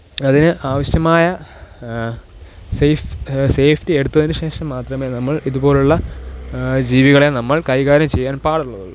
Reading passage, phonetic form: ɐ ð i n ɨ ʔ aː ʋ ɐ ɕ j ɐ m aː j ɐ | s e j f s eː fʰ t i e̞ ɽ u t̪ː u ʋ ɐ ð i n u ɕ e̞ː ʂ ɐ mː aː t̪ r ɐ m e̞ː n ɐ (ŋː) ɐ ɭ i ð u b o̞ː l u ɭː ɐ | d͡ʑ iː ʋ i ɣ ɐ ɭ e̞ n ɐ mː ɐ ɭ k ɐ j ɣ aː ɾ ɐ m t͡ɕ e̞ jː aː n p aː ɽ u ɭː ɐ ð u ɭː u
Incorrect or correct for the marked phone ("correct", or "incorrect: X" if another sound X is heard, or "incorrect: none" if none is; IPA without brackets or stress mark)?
incorrect: mː